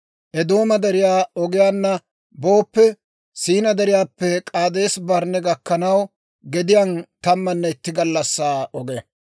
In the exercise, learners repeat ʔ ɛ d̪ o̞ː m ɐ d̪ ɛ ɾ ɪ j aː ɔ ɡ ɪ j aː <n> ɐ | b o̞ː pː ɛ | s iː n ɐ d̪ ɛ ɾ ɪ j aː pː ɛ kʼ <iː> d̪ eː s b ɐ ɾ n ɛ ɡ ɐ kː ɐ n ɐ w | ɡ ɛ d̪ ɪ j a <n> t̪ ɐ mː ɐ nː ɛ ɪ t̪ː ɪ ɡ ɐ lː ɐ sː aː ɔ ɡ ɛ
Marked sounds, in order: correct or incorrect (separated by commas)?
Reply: incorrect, incorrect, correct